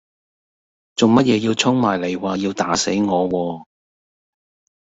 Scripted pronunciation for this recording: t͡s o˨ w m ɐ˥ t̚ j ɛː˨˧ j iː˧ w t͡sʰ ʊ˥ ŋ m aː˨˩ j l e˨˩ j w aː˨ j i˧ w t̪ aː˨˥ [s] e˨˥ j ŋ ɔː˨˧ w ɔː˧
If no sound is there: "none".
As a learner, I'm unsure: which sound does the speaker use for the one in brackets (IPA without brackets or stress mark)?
s